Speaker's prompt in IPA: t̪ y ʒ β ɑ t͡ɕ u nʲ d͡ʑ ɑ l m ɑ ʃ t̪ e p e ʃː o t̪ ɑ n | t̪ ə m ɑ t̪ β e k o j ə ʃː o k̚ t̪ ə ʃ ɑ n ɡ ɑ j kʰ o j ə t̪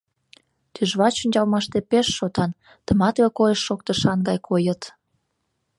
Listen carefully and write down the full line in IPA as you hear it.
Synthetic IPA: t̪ y ʒ β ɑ t͡ɕ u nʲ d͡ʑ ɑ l m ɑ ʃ t̪ e p e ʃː o t̪ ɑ n | t̪ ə m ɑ t̪ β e k o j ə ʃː o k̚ t̪ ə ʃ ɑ n ɡ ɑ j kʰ o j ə t̪

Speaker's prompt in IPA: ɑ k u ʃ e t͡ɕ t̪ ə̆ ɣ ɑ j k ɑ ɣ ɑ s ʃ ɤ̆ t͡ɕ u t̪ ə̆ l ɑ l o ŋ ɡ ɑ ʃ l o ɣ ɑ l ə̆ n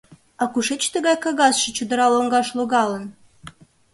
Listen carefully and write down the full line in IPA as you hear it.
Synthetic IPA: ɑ k u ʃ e t͡ɕ t̪ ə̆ ɣ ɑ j k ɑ ɣ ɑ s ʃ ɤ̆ t͡ɕ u d̪ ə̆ ɾ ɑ l o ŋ ɡ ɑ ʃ l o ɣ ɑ l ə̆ n

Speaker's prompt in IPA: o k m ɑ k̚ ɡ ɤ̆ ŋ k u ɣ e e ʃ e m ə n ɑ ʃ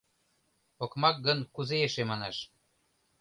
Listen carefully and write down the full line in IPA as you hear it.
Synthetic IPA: o k m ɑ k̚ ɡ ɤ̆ n k u z e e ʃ e m ɑ n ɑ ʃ

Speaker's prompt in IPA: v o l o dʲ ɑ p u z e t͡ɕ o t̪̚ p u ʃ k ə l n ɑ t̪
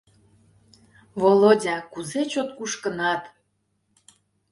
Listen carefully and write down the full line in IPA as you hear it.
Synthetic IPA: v o l o dʲ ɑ k u z e t͡ɕ o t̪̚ k u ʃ k ə n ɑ t̪

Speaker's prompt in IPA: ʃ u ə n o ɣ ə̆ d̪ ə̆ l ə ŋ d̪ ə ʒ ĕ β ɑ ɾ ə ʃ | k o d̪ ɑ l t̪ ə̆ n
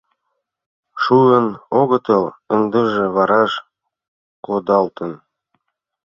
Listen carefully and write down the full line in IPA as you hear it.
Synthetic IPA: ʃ u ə n o ɣ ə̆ t̪ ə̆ l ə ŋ d̪ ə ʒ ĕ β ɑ ɾ ɑ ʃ | k o d̪ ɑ l t̪ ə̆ n

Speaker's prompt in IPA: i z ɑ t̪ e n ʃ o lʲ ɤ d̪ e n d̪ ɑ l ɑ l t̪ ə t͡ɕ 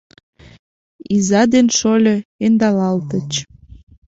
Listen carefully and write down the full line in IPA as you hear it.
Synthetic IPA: i z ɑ d̪ e n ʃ o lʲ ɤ e n d̪ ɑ l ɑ l t̪ ə t͡ɕ

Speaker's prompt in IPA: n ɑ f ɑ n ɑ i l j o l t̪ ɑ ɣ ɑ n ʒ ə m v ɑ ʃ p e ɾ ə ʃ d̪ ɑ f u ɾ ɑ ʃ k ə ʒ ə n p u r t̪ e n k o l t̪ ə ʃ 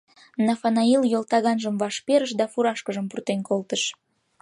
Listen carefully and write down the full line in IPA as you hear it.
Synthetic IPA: n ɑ f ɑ n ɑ i l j o l t̪ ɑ ɣ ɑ n ʒ ə m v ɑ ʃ p e ɾ ə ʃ d̪ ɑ f u ɾ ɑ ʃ k ə ʒ ə m p u r t̪ e n k o l t̪ ə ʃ

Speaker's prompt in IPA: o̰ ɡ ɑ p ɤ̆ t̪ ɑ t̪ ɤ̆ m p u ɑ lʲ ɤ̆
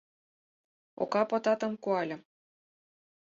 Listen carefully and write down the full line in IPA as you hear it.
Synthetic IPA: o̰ k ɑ p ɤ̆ t̪ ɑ t̪ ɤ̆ m k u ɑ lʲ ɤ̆

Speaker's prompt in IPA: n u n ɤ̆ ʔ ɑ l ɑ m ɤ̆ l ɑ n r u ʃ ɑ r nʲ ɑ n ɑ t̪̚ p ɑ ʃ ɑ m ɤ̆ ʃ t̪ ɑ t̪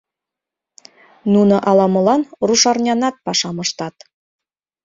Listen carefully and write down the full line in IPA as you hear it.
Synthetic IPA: n u n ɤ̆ ʔ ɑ l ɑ m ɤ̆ l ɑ n r u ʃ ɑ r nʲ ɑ n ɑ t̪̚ p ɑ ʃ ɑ m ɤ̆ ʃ t̪ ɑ t̪

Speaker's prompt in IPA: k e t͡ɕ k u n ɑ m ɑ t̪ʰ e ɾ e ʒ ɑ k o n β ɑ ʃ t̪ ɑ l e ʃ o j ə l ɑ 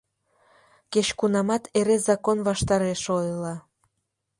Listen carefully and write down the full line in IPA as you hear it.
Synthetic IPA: k e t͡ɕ k u n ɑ m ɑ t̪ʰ e ɾ e z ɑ k o n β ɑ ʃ t̪ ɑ ɾ e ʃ o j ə l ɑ

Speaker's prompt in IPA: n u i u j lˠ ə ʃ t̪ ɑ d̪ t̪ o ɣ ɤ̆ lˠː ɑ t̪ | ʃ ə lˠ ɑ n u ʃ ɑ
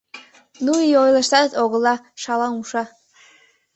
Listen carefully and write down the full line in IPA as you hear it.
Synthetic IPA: n u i o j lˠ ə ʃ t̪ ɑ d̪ t̪ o ɣ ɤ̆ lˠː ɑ | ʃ ɑ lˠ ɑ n u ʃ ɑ

